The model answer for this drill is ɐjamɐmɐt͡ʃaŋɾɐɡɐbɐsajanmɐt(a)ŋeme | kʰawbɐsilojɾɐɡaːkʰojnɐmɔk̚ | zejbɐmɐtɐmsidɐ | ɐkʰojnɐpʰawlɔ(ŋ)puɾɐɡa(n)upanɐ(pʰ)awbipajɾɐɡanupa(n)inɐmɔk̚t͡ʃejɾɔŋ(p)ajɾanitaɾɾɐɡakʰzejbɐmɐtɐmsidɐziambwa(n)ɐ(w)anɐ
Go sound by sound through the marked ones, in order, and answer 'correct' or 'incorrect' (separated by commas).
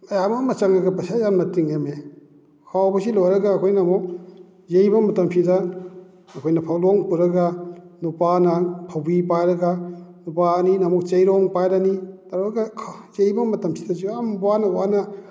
incorrect, correct, correct, correct, correct, correct, correct, correct